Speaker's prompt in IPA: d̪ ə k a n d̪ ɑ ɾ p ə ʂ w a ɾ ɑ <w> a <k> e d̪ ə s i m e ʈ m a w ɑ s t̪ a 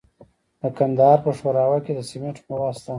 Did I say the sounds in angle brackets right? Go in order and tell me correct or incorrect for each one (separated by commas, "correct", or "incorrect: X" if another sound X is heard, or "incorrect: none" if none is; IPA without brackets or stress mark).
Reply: correct, correct